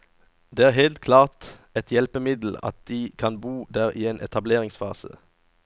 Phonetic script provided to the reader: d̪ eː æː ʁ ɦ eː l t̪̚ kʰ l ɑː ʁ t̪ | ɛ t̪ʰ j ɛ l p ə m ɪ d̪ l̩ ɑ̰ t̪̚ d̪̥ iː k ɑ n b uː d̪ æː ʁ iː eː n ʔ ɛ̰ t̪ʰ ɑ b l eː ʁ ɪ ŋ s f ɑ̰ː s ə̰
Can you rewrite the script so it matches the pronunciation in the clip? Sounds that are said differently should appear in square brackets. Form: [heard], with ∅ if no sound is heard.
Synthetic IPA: d̪ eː æː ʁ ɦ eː l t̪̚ kʰ l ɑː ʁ t̪ | ɛ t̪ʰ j ɛ l p ə m ɪ d̪ l̩ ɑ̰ t̪̚ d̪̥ iː [kʰ] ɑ n b uː d̪ æː ʁ iː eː n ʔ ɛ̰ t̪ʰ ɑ b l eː ʁ ɪ ŋ s f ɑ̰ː s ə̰